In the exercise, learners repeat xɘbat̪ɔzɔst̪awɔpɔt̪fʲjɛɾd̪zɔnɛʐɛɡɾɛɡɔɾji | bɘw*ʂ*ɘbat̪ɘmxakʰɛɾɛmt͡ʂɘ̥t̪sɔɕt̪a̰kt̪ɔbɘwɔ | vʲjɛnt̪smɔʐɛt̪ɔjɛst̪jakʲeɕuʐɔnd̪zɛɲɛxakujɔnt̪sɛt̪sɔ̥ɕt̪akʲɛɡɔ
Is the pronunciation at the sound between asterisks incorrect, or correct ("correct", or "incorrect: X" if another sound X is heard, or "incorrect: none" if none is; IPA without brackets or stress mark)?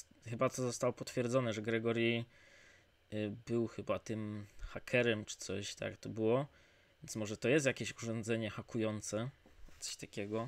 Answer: incorrect: x